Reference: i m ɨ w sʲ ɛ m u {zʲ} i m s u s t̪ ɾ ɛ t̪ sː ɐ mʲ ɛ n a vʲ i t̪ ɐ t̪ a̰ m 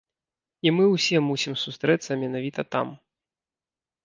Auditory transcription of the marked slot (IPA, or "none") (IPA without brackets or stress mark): sʲ